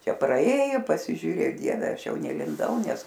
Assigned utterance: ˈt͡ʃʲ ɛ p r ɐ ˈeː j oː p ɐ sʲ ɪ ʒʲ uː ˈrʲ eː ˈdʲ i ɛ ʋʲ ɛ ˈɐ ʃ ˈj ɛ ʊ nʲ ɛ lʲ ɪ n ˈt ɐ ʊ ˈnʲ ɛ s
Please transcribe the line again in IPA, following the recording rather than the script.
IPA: ˈt͡ʃʲ ɛ p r ɐ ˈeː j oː p ɐ sʲ ɪ ʒʲ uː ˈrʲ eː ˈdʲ i ɛ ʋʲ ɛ ˈɐ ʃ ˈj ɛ ʊ nʲ ɛ lʲ ɪ n ˈd ɐ ʊ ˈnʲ ɛ s